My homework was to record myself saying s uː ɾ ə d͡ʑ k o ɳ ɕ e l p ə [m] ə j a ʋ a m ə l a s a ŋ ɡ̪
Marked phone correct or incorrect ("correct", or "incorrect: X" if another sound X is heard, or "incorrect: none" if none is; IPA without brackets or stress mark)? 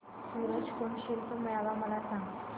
correct